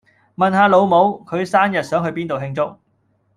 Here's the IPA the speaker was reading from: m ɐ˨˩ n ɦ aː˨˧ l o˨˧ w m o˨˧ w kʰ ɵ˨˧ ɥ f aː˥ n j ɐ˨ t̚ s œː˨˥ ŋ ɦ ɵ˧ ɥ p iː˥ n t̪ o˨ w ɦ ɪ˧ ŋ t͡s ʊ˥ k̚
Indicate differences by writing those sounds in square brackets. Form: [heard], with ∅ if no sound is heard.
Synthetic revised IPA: m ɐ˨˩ n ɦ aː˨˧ l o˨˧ w m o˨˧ w kʰ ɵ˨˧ ɥ [s] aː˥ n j ɐ˨ t̚ s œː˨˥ ŋ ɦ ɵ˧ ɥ p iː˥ n t̪ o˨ w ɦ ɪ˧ ŋ t͡s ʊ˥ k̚